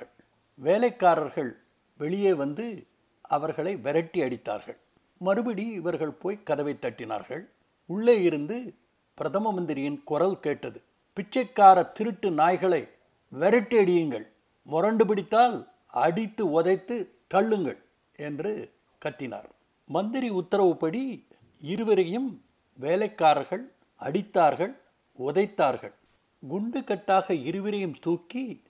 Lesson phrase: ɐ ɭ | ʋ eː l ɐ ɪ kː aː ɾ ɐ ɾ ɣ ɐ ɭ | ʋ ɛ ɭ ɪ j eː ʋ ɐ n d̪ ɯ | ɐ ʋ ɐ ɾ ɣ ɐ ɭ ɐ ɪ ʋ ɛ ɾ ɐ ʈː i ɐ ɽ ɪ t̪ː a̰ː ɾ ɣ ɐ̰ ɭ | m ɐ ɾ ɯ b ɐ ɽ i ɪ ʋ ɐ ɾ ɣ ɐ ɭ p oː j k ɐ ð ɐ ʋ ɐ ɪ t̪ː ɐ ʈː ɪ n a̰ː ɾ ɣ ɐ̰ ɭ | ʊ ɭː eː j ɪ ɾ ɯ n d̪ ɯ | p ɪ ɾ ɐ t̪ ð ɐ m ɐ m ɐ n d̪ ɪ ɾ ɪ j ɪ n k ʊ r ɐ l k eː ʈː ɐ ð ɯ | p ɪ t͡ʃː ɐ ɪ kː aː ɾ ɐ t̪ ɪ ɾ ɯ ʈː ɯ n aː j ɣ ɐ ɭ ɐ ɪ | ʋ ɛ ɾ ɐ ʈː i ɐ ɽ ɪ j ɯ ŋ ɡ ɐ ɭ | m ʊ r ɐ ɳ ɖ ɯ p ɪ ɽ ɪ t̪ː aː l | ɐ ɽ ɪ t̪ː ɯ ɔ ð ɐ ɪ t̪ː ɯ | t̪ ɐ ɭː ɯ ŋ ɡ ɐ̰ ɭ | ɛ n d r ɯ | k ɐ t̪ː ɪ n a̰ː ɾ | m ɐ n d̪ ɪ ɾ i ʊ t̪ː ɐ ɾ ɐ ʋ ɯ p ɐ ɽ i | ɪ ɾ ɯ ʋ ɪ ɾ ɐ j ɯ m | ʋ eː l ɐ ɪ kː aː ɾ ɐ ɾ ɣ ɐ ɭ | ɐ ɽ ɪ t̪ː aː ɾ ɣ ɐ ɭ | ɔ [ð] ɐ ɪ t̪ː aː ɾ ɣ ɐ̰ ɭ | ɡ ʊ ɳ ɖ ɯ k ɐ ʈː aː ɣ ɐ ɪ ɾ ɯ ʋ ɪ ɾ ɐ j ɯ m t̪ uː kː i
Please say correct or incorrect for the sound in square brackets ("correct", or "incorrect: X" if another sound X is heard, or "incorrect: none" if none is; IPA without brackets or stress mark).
correct